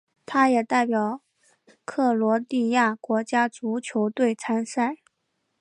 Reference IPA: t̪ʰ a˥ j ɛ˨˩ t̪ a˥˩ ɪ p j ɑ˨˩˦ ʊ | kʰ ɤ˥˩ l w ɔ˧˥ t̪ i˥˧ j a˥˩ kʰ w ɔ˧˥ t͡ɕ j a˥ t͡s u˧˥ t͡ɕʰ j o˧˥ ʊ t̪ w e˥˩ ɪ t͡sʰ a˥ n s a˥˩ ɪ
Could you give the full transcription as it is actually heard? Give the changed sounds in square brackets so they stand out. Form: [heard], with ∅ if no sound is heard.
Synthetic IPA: t̪ʰ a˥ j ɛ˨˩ t̪ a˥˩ ɪ p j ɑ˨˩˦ ʊ | kʰ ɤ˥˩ l w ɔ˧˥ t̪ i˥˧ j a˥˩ [k] w ɔ˧˥ t͡ɕ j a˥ t͡s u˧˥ t͡ɕʰ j o˧˥ ʊ t̪ w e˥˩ ɪ t͡sʰ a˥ n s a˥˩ ɪ